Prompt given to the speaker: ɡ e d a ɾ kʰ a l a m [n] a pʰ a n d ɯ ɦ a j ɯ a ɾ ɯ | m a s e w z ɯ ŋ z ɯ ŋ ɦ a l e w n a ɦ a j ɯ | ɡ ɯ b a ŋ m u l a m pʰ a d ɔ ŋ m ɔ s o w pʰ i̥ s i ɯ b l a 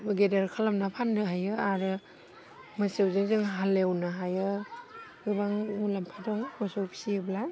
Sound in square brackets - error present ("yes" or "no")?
no